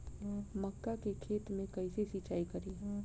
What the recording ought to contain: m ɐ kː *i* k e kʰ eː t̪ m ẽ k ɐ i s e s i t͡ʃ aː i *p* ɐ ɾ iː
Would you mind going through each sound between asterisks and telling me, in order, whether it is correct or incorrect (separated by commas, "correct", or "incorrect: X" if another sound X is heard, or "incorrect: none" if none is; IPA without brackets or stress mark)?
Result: incorrect: a, incorrect: k